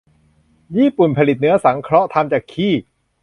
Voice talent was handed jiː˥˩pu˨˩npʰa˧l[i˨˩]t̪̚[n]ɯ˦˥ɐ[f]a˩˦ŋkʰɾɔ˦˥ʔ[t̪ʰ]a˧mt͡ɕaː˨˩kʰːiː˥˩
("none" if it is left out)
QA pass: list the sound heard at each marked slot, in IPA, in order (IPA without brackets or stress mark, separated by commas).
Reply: i˨˩, n, s, t̪ʰ